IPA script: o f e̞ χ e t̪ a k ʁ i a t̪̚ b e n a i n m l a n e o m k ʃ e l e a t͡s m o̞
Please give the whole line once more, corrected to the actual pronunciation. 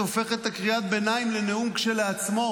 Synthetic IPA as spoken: o f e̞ χ e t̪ a k ʁ i a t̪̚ b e n a i m l e n e u m k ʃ e l e a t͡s m o̞